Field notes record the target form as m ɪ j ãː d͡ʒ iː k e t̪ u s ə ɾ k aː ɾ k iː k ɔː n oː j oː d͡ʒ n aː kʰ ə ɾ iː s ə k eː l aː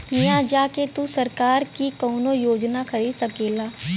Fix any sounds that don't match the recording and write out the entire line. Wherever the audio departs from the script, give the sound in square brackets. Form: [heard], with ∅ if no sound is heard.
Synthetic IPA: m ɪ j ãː d͡ʒ [aː] k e t̪ u s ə ɾ k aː ɾ k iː k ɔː n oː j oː d͡ʒ n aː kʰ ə ɾ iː s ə k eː l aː